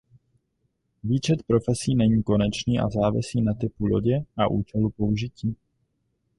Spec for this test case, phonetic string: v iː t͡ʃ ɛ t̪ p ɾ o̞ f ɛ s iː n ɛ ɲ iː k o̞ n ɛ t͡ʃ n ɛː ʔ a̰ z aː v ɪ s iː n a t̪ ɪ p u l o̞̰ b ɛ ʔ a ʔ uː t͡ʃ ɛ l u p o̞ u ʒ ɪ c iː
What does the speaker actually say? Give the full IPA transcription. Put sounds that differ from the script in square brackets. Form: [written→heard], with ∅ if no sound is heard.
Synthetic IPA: v iː t͡ʃ ɛ t̪ p ɾ o̞ f ɛ s iː n ɛ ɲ iː k o̞ n ɛ t͡ʃ n [ɛː→iː] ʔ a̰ z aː v ɪ s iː n a t̪ ɪ p u l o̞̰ [b→ɟ] ɛ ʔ a ʔ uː t͡ʃ ɛ l u p o̞ u ʒ ɪ c iː